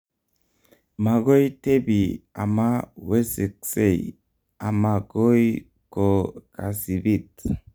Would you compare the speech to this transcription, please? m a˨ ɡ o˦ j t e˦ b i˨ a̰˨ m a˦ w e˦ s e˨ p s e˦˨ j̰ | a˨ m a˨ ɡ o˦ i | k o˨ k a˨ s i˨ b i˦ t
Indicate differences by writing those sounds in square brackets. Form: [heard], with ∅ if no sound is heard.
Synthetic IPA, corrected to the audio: m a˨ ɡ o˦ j t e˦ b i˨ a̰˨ m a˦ w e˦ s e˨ [k] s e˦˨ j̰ | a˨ m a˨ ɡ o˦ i | k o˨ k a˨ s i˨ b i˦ t